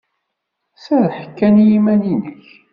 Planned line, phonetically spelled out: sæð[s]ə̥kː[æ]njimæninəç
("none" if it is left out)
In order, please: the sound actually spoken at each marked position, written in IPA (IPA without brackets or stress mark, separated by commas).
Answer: ħ, æ